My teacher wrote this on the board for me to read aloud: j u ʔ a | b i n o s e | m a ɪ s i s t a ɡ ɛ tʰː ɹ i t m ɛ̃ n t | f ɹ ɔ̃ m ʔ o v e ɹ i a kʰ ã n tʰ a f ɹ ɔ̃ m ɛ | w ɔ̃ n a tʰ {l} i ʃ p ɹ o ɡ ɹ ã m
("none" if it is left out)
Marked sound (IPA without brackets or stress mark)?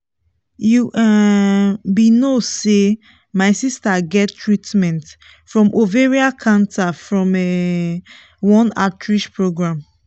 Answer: ɹ